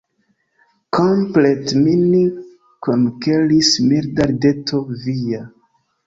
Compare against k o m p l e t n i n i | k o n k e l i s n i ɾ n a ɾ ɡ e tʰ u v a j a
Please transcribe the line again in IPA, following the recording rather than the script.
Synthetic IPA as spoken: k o m p l e t m i n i | k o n k e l i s m i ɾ d a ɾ d e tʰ o v i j a